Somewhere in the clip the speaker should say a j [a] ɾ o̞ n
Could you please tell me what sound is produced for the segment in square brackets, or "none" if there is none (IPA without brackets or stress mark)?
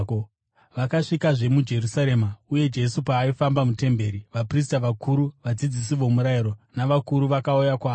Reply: i